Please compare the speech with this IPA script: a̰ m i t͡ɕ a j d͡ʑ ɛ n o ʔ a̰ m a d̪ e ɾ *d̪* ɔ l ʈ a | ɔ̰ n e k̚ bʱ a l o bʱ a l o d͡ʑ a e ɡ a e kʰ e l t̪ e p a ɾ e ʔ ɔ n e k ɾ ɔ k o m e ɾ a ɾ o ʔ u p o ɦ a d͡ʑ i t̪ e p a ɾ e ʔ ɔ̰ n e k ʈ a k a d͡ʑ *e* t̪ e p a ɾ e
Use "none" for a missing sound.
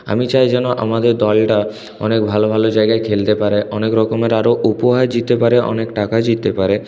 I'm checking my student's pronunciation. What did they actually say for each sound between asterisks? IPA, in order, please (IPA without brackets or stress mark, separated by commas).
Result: d̪, i